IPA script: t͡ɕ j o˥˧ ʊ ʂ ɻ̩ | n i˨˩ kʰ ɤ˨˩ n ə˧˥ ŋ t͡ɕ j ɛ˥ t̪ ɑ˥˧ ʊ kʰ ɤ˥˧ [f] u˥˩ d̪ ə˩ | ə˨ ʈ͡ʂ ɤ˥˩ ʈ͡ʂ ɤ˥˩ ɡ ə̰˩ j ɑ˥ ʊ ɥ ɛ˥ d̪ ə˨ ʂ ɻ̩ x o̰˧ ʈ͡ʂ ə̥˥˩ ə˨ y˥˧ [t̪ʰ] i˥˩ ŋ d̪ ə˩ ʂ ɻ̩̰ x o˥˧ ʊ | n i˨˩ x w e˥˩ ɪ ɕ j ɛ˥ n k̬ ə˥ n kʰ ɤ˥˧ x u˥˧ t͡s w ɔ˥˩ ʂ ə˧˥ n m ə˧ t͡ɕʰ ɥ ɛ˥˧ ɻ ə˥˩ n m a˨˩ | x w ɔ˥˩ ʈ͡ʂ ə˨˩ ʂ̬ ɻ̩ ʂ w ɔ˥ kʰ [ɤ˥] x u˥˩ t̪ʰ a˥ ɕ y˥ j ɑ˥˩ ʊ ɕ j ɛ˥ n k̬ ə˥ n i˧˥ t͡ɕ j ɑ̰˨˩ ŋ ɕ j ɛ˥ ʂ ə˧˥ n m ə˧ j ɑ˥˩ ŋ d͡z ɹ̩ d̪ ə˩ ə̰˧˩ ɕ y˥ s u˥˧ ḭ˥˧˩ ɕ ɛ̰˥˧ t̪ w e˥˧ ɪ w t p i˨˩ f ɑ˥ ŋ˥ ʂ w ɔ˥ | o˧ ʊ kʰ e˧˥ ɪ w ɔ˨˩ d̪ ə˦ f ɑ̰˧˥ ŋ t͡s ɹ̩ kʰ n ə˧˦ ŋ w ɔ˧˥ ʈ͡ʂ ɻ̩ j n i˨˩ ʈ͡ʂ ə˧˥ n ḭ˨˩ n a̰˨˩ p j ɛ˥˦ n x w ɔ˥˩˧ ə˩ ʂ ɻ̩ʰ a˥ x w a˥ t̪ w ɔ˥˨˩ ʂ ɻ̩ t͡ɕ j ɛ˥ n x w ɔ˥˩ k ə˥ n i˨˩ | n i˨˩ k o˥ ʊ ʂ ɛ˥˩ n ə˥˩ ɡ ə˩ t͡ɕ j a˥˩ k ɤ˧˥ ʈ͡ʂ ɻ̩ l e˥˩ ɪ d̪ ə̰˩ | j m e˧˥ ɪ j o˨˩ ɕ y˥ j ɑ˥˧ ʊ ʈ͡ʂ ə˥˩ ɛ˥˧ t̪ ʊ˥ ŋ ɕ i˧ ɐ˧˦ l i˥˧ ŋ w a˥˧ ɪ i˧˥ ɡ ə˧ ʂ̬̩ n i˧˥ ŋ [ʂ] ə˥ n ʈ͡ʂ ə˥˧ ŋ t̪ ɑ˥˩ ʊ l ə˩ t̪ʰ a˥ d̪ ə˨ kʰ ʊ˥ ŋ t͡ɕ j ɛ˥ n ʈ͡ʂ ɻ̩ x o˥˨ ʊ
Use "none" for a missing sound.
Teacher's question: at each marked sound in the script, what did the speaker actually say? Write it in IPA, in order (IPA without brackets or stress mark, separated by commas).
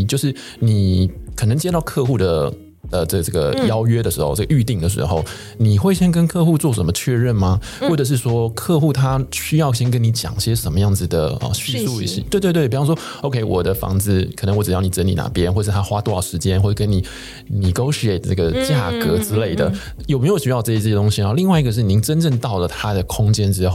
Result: x, t̪, ɤ˥˧, ʈ͡ʂ